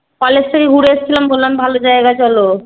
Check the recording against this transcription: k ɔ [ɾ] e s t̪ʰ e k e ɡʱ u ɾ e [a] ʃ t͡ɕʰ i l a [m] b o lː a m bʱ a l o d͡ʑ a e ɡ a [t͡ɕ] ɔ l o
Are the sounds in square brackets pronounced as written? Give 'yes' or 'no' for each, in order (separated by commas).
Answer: no, no, yes, yes